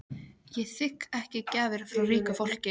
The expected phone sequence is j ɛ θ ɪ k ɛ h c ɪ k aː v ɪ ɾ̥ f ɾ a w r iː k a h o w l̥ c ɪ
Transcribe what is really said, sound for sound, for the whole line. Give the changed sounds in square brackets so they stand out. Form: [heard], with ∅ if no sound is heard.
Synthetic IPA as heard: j ɛ θ ɪ k ɛ h c ɪ [c] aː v ɪ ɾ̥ f ɾ a w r iː k a [f] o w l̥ c ɪ

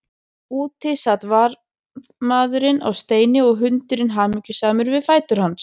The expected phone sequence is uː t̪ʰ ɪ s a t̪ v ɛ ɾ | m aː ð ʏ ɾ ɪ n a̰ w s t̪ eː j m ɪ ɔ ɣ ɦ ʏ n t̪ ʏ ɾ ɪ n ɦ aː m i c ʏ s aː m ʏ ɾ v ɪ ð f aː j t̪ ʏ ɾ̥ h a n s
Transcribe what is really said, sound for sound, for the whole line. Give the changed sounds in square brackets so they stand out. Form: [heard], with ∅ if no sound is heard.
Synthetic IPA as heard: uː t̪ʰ ɪ s a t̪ v [a] ɾ | m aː ð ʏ ɾ ɪ n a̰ w s t̪ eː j [n] ɪ ɔ ɣ ɦ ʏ n t̪ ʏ ɾ ɪ n ɦ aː m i c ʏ s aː m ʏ ɾ v ɪ ð f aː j t̪ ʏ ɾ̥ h a n s

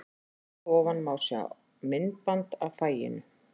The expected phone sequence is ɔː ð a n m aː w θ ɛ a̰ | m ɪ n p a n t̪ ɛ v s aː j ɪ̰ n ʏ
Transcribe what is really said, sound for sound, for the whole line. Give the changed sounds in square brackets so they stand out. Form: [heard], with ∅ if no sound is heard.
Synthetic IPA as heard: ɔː [v] a n m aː w [s] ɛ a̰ | m ɪ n p a n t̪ [a] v [f] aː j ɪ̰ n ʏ

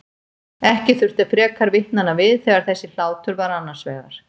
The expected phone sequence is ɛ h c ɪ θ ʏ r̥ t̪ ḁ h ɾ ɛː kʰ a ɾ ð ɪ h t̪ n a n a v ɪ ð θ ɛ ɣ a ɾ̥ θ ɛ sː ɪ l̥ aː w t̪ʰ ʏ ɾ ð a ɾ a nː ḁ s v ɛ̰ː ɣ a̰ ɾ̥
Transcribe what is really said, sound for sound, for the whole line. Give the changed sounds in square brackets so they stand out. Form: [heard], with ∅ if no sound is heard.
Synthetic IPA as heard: ɛ h c ɪ θ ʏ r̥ t̪ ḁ [f] ɾ ɛː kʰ a ɾ [v] ɪ h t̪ n a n a v ɪ ð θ ɛ ɣ a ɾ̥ θ ɛ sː ɪ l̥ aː w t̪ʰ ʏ ɾ [v] a ɾ a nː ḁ s v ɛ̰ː ɣ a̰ ɾ̥

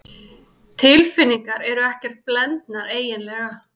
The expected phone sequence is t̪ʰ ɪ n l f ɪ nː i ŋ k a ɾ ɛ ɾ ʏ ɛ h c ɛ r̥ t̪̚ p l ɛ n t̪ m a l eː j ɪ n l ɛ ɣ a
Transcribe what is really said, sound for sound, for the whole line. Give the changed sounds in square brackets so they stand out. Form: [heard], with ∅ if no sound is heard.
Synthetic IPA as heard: t̪ʰ ɪ [∅] l f ɪ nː i ŋ k a ɾ ɛ ɾ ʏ ɛ h c ɛ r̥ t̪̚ p l ɛ n t̪ [n] a [ɾ] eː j ɪ n l ɛ ɣ a

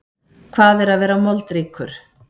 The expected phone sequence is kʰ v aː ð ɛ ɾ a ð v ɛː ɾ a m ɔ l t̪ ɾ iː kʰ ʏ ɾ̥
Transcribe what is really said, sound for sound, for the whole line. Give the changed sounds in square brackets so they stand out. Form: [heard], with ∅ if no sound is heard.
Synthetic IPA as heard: kʰ v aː ð ɛ ɾ a ð v ɛː ɾ a m ɔ l t̪ ɾ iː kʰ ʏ ɾ̥

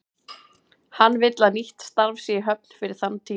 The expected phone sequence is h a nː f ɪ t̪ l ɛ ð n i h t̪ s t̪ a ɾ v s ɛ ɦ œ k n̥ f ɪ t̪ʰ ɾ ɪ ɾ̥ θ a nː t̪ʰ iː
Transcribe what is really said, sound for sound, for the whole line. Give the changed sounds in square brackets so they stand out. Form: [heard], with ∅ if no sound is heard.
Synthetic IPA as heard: h a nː [v] ɪ t̪ l [a] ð n i h t̪ s t̪ a ɾ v s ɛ ɦ œ [p] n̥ f ɪ [∅] ɾ ɪ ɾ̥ θ a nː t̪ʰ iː

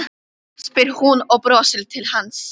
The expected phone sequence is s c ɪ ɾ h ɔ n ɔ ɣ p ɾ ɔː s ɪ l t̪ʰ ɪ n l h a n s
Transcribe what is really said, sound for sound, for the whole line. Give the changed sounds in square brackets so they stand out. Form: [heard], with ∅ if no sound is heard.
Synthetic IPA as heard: s [p] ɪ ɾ h [u] n ɔ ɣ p ɾ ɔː s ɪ l t̪ʰ ɪ [∅] l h a n s

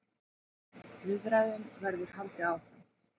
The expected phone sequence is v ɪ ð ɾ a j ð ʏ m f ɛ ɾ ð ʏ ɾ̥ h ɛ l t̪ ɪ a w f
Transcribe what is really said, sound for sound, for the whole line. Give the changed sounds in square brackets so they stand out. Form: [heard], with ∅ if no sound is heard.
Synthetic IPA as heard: v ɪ ð ɾ a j ð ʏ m [v] ɛ ɾ ð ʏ ɾ̥ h [a] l t̪ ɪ a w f

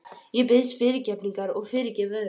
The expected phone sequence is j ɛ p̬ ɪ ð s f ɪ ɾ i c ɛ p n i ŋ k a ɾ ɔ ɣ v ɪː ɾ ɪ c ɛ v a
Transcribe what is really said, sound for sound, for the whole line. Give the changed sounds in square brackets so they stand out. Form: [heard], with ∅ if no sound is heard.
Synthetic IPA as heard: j ɛ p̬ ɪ ð s f ɪ ɾ [ɪ] c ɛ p n i ŋ k a ɾ ɔ ɣ [f] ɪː ɾ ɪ c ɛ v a

